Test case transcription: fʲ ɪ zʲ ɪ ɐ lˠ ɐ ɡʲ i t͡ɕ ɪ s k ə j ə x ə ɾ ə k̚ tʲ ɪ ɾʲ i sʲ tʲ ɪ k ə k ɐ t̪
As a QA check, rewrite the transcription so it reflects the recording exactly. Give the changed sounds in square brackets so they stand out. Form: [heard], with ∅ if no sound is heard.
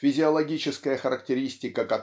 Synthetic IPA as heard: fʲ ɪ zʲ ɪ ɐ lˠ ɐ ɡʲ i t͡ɕ ɪ s k ə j ə x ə ɾ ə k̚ tʲ ɪ ɾʲ i sʲ tʲ ɪ k ə k ɐ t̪